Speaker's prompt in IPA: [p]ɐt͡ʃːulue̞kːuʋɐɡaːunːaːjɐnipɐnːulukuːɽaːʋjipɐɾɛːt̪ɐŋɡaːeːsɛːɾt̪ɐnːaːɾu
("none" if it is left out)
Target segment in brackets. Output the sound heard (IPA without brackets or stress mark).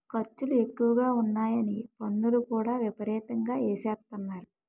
k